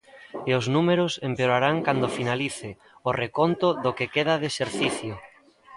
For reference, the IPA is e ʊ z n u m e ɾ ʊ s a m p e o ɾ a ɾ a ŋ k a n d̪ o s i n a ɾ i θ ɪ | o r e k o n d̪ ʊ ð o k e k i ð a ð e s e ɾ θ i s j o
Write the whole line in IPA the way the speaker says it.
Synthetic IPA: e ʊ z n u m e ɾ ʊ s e m p e o ɾ a ɾ a ŋ k a n d̪ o f i n a l i θ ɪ | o r e k o n t̪ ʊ ð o k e k e ð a ð e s e ɾ θ i θ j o